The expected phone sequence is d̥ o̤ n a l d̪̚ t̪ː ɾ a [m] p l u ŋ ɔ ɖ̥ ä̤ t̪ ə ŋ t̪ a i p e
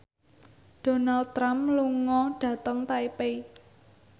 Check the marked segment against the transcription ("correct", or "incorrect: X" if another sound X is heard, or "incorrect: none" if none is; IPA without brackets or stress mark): correct